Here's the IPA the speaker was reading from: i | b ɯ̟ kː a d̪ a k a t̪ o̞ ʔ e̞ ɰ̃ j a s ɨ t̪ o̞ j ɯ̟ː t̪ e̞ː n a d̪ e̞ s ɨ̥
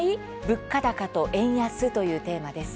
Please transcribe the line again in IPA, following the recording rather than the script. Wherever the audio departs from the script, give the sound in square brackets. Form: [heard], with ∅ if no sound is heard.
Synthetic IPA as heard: i | b ɯ̟ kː a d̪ a k a t̪ o̞ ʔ [ẽ̞] ɰ̃ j a s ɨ t̪ o̞ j ɯ̟ː t̪ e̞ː [m] a d̪ e̞ s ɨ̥

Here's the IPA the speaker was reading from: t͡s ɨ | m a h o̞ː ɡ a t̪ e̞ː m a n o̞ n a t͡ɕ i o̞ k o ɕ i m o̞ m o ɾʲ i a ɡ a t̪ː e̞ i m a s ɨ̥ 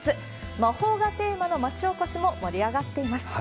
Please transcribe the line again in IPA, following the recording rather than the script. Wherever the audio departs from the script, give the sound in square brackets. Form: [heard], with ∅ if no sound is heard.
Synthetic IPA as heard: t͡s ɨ | m a h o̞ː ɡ a t̪ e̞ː m a n o̞ [m] a t͡ɕ i o̞ k o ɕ i m o̞ m o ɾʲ i a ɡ a t̪ː e̞ i m a s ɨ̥

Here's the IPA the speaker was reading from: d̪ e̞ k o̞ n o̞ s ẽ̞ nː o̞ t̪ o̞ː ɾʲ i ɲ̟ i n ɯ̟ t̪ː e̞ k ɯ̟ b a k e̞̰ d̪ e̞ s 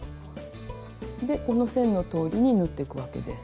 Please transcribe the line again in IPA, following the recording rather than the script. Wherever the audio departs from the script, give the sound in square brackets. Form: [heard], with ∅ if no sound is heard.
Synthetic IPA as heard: d̪ e̞ k o̞ n o̞ s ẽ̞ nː o̞ t̪ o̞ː ɾʲ i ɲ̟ i n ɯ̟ t̪ː e̞ k ɯ̟ [β] a k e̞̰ d̪ e̞ s

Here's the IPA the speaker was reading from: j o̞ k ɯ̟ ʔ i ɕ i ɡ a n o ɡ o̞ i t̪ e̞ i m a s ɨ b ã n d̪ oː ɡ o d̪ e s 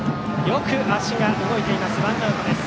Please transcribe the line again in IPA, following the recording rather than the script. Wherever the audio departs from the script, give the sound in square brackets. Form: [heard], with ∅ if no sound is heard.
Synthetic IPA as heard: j o̞ k ɯ̟ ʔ [a] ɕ i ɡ a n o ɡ o̞ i t̪ e̞ i m a s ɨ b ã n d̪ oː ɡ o d̪ e s

